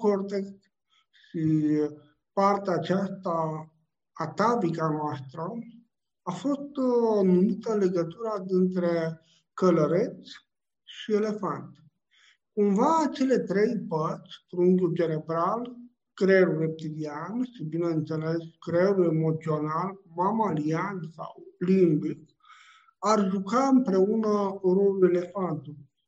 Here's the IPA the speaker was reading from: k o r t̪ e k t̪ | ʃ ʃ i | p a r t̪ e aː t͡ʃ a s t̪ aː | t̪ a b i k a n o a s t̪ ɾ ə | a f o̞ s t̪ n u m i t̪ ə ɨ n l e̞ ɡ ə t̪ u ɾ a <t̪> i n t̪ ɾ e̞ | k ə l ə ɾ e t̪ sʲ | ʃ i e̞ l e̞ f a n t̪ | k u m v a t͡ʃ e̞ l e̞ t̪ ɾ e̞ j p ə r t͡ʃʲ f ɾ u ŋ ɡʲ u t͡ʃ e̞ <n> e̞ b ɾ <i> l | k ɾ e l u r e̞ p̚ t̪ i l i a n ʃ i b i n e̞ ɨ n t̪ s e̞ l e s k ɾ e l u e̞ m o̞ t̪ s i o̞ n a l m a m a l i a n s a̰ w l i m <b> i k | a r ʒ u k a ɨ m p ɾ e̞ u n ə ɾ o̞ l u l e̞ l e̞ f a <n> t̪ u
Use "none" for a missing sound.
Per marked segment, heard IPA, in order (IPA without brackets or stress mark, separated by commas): d̪, n, a, b, n